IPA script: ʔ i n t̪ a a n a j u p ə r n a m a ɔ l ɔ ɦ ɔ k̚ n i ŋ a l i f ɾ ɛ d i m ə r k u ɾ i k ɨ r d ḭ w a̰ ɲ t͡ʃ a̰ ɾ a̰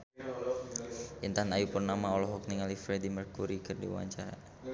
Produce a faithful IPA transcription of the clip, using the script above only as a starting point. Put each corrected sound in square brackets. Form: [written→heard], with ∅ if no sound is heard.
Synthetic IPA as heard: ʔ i n t̪ a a n a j u p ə r n a m a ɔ l ɔ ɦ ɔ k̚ n i ŋ a l i f ɾ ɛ d i m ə r k u ɾ i k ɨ r d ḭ w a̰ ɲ t͡ʃ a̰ ɾ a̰